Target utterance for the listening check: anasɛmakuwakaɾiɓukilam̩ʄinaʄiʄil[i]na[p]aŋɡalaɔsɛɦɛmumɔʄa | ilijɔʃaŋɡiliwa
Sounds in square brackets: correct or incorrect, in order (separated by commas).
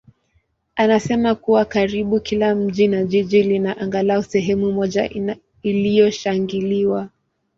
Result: correct, incorrect